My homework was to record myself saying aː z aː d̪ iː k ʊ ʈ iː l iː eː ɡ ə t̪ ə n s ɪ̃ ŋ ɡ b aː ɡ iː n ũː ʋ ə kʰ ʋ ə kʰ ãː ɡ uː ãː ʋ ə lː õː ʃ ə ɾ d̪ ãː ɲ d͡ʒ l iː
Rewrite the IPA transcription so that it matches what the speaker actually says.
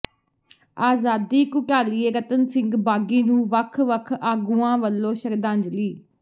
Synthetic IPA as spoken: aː z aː d̪ iː k ʊ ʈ aː l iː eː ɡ ə t̪ ə n s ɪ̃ ŋ ɡ b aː ɡ iː n ũː ʋ ə kʰ ʋ ə kʰ aː ɡ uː ãː ʋ ə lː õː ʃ ə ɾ d̪ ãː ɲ d͡ʒ l iː